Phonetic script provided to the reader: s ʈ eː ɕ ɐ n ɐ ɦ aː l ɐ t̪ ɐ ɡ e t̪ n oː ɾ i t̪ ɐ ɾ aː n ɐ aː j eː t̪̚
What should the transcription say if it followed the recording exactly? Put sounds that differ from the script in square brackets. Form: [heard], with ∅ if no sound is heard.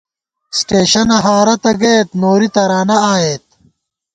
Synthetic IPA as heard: s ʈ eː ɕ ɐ n ɐ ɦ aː [ɾ] ɐ t̪ ɐ ɡ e t̪ n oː ɾ i t̪ ɐ ɾ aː n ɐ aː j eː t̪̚

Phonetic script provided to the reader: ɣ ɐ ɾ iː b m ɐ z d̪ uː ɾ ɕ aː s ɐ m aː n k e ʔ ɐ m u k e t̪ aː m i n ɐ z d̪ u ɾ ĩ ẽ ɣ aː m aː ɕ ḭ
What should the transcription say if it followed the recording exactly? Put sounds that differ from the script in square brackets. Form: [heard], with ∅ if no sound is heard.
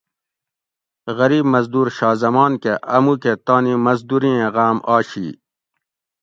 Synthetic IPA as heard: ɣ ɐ ɾ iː b m ɐ z d̪ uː ɾ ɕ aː [z] ɐ m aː n k e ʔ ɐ m u k e t̪ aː [n] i [m] ɐ z d̪ u ɾ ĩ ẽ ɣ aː m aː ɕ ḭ

